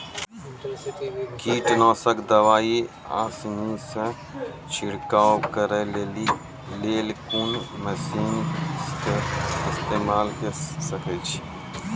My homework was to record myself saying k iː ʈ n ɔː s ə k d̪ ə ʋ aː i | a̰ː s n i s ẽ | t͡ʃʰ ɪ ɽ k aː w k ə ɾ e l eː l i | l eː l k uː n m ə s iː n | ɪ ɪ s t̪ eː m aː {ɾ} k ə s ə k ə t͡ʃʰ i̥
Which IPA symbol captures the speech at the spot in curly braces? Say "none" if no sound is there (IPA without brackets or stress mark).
l